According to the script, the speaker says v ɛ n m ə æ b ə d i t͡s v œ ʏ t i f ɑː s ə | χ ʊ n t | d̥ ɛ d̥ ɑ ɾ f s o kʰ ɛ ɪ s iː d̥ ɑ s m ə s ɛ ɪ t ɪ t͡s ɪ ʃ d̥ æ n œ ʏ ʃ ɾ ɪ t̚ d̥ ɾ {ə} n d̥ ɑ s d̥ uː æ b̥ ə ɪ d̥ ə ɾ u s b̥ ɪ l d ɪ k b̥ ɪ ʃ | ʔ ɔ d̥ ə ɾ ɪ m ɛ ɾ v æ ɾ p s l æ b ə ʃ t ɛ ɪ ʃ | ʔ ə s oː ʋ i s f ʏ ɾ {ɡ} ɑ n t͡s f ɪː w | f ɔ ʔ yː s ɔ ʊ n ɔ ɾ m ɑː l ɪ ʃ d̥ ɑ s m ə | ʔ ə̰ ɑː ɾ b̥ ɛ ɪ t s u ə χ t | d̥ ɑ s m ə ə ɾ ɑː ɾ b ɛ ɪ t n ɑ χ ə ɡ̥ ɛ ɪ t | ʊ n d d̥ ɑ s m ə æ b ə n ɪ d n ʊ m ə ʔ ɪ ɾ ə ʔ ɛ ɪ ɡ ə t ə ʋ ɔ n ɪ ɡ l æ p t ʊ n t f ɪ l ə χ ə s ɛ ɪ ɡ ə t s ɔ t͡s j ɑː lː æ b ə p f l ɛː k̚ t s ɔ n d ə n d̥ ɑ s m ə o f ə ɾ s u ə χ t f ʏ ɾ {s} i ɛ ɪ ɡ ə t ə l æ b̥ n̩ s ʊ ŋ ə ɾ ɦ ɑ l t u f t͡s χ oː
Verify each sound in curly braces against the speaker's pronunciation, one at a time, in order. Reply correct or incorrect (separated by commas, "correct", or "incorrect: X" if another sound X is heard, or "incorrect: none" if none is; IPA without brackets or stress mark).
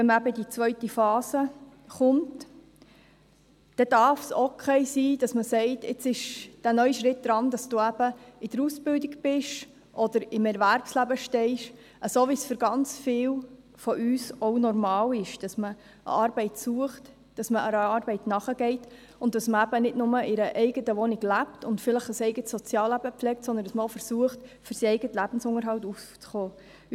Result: incorrect: ɑ, correct, correct